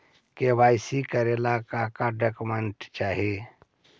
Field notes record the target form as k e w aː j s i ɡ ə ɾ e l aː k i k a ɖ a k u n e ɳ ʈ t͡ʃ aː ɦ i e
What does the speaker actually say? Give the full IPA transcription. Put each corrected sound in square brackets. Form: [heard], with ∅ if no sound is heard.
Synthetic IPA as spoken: k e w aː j s i [k] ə ɾ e l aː k [a] k a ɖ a k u [m] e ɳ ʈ t͡ʃ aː ɦ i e

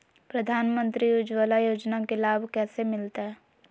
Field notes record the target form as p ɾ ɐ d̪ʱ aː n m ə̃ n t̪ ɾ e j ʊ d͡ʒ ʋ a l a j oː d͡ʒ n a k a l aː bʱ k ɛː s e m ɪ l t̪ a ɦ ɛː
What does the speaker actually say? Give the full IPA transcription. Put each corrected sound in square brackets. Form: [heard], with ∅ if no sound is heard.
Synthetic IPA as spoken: p ɾ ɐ d̪ʱ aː n m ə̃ n t̪ ɾ [i] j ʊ d͡ʒ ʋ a l a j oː d͡ʒ n a k [e] l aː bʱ k ɛː s e m ɪ l t̪ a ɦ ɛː

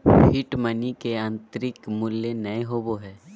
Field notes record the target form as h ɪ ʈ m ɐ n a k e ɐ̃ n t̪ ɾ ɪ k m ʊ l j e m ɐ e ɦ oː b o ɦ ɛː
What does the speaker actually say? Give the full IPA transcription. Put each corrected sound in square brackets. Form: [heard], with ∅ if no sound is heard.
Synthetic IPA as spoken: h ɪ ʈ m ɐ n [i] k e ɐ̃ n t̪ ɾ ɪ k m ʊ l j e [n] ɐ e ɦ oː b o ɦ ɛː

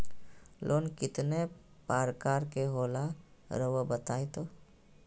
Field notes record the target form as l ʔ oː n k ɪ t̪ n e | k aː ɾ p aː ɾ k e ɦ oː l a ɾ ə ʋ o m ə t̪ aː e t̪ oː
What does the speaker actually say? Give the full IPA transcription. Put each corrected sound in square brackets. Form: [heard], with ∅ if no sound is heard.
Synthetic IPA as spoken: l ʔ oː n k ɪ t̪ n e | [p] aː ɾ [k] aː ɾ k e ɦ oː l a ɾ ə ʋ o [b] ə t̪ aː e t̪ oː

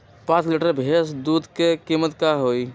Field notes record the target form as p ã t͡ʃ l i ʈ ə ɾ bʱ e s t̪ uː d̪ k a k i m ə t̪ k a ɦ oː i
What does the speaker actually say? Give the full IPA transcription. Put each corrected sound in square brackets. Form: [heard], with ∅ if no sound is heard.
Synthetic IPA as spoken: p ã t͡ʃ l i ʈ ə ɾ bʱ e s [d̪] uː d̪ k [e] k i m ə t̪ k a ɦ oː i

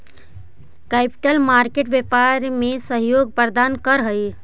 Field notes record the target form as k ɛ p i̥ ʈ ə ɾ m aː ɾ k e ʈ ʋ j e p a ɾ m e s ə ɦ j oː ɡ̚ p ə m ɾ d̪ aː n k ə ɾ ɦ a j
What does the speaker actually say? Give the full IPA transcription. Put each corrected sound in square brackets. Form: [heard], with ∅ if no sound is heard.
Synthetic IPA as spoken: k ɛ p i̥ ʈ ə [l] m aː ɾ k e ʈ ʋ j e p a ɾ m e s ə ɦ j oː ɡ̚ p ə [∅] ɾ d̪ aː n k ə ɾ ɦ [ə] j

